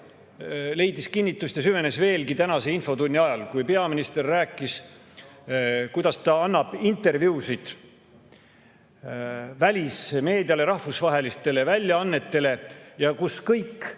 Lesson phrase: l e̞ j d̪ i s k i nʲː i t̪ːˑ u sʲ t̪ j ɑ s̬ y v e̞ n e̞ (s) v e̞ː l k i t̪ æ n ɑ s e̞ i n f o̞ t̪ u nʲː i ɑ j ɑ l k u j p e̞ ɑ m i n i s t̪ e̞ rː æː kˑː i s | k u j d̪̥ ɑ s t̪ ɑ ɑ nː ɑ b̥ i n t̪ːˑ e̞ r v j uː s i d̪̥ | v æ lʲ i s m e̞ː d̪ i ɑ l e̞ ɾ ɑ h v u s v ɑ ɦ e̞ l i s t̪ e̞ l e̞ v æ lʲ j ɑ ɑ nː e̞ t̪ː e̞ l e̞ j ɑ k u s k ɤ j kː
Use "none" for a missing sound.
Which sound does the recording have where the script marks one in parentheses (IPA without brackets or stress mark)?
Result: s